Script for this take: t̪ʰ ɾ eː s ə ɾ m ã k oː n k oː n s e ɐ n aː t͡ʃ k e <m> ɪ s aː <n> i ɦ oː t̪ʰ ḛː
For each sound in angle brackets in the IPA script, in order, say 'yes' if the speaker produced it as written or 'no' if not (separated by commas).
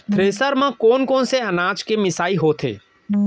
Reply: yes, no